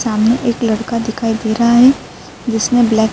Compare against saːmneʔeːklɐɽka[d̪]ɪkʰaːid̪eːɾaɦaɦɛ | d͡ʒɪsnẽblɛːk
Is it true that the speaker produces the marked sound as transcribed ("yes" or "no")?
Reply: yes